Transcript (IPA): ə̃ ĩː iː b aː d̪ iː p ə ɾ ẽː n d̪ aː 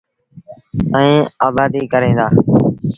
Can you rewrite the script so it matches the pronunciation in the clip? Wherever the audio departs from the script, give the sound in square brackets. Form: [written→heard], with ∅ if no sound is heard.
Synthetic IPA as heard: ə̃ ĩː [iː→aː] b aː d̪ iː [p→k] ə ɾ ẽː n d̪ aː